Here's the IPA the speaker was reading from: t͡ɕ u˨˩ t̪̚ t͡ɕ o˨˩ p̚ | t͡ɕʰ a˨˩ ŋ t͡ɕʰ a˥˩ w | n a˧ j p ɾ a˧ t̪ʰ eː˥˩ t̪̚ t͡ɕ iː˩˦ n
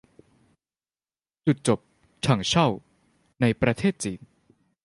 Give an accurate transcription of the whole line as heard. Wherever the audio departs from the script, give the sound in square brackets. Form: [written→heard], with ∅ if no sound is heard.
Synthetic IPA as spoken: t͡ɕ u˨˩ t̪̚ t͡ɕ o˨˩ p̚ | t͡ɕʰ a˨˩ ŋ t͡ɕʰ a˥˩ w | n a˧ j p ɾ a˧ t̪ʰ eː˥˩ t̪̚ t͡ɕ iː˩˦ n